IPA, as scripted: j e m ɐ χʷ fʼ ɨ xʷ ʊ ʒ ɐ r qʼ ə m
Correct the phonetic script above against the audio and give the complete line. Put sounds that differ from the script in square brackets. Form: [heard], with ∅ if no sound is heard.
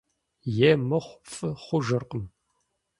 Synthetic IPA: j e m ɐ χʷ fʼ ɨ [χʷ] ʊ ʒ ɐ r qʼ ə m